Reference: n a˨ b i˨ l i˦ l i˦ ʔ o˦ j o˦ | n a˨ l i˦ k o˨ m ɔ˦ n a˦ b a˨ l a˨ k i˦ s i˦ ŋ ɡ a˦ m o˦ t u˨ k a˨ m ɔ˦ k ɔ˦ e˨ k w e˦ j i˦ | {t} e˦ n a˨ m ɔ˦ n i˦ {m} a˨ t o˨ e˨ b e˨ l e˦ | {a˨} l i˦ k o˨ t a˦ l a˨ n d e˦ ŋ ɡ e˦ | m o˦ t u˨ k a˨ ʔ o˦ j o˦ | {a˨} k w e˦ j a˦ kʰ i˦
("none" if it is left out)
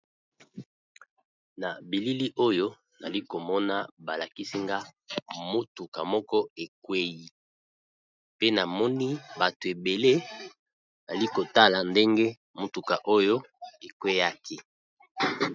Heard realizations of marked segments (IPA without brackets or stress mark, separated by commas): p, b, a˨, e˨